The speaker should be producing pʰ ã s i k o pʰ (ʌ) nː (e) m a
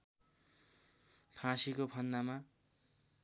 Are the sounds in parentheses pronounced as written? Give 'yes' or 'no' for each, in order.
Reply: yes, no

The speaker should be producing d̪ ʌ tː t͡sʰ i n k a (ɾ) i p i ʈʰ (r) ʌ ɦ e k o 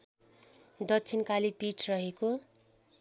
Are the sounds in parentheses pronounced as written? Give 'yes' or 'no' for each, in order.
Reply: no, yes

